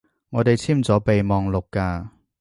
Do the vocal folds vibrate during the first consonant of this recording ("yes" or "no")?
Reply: yes